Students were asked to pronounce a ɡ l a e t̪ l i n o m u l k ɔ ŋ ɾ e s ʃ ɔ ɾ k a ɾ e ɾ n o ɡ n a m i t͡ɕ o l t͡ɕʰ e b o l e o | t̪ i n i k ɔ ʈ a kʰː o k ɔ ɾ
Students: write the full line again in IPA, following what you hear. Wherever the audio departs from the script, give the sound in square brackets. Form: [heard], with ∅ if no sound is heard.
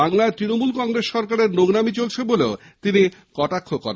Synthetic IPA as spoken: a [ŋ] l a e t̪ [ɾ] i n o m u l k ɔ ŋ ɾ e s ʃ ɔ ɾ k a ɾ e ɾ n o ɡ n a m i t͡ɕ o l t͡ɕʰ e b o l e o | t̪ i n i k ɔ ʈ a kʰː o k ɔ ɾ